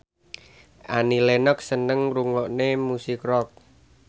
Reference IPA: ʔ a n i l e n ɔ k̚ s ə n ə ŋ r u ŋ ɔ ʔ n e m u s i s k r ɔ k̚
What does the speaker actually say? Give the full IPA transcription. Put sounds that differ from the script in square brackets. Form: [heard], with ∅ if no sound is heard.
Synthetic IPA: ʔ a n i l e n ɔ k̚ s ə n ə ŋ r u ŋ ɔ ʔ n e m u s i [∅] k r ɔ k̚